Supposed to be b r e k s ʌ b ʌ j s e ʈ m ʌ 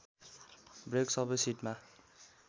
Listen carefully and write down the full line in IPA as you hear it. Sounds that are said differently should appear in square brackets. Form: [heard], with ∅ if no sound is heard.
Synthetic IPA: b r e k s ʌ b ʌ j s [i] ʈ m [a]